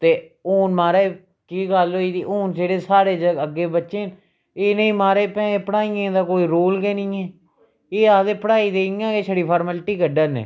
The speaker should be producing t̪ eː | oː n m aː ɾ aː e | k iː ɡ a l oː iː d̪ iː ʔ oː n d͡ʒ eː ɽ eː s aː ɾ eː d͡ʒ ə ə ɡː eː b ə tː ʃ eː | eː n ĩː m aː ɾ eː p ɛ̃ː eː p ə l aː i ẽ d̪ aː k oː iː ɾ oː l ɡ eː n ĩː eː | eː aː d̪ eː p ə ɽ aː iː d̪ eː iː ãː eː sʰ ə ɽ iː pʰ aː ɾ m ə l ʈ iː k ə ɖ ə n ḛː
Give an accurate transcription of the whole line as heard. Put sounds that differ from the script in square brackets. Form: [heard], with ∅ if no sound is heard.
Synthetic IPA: t̪ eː | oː n m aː ɾ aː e | k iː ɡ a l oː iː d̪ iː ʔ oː n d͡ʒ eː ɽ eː s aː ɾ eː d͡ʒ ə ə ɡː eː b ə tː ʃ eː | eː n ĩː m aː ɾ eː p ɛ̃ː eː p ə [ɽ] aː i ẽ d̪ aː k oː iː ɾ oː l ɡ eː n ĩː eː | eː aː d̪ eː p ə ɽ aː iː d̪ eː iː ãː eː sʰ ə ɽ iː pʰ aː ɾ m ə l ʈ iː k ə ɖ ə n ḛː